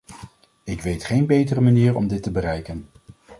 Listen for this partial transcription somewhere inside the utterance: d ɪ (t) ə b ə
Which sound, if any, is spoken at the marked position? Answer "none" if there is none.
t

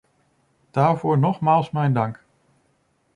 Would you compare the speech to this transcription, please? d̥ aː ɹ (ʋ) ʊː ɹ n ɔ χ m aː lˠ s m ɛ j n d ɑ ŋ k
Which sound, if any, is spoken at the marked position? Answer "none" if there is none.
v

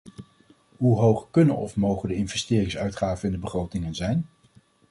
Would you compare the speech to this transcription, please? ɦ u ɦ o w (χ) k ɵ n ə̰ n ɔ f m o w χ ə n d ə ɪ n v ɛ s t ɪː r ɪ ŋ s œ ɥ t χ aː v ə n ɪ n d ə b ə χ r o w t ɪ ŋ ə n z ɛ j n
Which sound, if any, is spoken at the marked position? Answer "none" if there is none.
χ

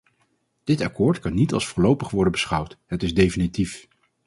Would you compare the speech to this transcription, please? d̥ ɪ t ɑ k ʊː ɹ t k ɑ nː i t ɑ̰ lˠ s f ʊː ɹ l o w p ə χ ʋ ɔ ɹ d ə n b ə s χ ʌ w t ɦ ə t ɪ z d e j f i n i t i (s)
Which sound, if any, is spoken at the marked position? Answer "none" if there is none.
f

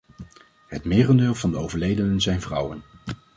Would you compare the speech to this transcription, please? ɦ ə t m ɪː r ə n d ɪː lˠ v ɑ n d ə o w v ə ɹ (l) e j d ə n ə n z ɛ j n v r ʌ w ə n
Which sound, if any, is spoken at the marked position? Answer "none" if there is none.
l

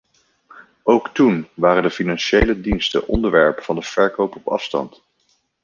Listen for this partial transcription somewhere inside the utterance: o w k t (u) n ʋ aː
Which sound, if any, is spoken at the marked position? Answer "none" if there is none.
u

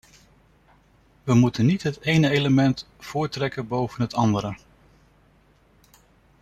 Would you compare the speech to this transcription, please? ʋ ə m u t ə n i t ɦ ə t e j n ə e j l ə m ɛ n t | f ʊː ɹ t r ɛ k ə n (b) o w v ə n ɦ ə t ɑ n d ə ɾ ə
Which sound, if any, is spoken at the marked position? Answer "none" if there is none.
b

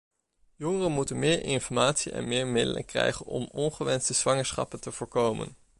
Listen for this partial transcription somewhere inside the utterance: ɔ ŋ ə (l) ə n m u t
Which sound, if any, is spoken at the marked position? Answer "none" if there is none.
r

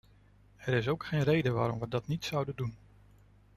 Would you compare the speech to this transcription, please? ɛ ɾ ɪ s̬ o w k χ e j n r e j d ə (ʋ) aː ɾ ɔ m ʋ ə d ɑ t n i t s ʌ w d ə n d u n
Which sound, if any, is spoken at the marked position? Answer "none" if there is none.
ʋ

